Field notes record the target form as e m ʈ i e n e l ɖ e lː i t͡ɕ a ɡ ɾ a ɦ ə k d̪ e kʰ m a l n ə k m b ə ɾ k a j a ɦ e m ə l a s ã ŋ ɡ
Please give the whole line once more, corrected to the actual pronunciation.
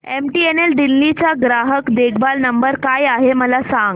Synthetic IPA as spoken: e m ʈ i e n e l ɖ i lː i t͡ɕ a ɡ ɾ a ɦ ə k d̪ e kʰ b a l n ə m b ə ɾ k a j a ɦ e m ə l a s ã ŋ ɡ

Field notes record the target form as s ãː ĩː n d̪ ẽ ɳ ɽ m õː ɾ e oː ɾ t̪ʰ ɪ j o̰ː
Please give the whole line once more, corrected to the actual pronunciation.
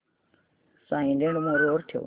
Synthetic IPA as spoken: s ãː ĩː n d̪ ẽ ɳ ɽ m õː ɾ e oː ɾ t̪ʰ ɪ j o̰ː

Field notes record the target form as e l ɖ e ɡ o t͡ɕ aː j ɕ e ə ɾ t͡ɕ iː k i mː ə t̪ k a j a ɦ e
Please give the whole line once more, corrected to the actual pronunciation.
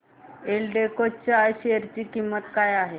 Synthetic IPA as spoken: e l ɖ e k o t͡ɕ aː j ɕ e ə ɾ t͡ɕ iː k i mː ə t̪ k a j a ɦ e

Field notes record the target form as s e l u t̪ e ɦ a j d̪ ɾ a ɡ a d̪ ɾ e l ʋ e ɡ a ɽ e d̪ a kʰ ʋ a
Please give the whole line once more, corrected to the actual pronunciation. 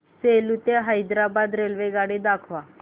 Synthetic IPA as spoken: s e l u t̪ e ɦ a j d̪ ɾ a b a d̪ ɾ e l ʋ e ɡ a ɽ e d̪ a kʰ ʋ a

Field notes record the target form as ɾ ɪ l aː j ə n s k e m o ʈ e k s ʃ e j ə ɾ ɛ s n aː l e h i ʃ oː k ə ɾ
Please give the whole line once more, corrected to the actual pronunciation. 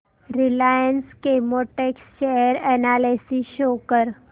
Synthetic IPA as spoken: ɾ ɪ l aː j ə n s k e m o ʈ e k s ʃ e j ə ɾ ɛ n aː l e s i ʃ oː k ə ɾ

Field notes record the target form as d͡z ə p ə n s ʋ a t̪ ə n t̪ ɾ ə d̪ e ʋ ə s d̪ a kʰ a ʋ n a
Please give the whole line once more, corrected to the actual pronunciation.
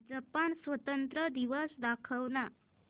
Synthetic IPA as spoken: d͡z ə p a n s ʋ ə t̪ ə n t̪ ɾ ə d̪ i ʋ ə s d̪ a kʰ ə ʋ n a

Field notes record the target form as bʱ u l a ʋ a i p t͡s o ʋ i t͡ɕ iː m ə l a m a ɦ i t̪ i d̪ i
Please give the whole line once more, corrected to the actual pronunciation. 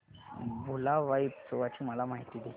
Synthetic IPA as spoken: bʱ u l a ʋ a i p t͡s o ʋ a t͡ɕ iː m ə l a m a ɦ i t̪ i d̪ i

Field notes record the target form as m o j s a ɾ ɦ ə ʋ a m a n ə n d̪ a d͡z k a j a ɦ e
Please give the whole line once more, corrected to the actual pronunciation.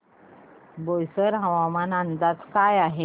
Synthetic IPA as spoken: b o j s ə ɾ ɦ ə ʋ a m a n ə n d̪ a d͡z k a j a ɦ e

